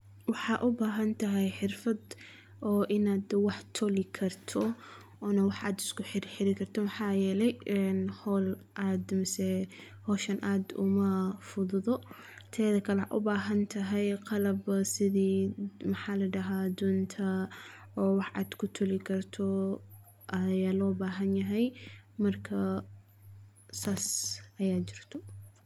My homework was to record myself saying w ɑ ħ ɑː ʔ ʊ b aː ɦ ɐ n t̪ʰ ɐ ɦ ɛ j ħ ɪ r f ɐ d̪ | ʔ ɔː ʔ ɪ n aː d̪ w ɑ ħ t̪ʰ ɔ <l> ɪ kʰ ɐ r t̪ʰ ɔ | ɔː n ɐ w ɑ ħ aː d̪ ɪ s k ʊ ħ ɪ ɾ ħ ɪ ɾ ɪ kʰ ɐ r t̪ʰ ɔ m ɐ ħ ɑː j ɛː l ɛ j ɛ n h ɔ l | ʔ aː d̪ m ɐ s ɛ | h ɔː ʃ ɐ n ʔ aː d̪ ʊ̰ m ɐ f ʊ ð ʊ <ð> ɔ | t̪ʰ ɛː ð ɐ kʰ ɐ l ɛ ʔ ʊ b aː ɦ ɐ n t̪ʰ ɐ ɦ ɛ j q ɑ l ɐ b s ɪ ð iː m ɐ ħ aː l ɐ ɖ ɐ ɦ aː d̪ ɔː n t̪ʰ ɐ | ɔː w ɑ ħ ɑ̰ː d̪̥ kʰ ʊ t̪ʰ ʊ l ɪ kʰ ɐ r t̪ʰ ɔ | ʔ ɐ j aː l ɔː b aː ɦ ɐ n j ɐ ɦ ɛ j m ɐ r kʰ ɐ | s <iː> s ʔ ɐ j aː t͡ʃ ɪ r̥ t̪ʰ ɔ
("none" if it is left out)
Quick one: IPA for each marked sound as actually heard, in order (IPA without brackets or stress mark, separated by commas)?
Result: l, ð, aː